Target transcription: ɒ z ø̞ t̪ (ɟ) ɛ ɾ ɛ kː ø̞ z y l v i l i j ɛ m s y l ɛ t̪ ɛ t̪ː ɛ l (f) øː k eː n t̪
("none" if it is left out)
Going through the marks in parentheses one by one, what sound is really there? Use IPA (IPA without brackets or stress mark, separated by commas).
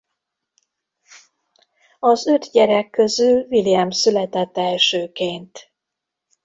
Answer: ɟ, ʃ